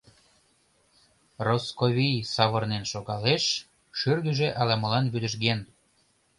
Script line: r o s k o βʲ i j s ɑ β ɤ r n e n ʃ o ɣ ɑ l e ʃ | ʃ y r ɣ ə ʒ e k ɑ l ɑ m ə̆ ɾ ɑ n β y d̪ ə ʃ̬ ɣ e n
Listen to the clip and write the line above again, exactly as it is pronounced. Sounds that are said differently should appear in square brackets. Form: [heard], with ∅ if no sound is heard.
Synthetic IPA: r o s k o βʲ i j s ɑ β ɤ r n e n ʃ o ɣ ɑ l e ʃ | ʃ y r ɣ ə ʒ e [ʔ] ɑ l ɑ m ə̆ [l] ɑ n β y d̪ ə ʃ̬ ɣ e n